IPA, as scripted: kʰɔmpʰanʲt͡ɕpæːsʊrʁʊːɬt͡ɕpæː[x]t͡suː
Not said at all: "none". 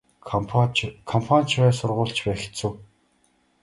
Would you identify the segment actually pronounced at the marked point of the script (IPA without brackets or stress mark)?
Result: x